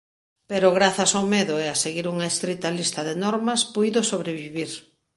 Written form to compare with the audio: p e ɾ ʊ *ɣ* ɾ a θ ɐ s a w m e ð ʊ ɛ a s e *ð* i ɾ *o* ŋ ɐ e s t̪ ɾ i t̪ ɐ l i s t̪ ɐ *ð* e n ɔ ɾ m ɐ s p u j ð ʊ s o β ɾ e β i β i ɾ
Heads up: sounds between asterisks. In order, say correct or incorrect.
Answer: correct, incorrect, incorrect, correct

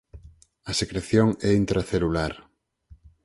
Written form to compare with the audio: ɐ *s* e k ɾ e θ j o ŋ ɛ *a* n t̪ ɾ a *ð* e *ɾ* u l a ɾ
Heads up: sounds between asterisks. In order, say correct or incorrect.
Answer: correct, incorrect, incorrect, incorrect

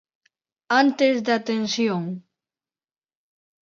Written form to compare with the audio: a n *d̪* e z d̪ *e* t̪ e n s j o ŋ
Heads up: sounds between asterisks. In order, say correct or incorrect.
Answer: incorrect, incorrect

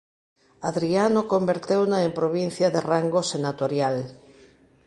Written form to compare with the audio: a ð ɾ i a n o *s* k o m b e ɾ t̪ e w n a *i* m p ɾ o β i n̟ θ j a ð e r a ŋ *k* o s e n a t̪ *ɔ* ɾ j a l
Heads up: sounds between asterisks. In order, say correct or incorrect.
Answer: incorrect, incorrect, incorrect, incorrect

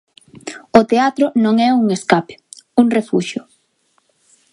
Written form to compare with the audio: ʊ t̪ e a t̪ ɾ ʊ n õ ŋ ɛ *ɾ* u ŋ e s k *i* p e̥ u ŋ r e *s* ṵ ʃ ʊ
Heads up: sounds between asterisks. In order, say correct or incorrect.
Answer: incorrect, incorrect, incorrect

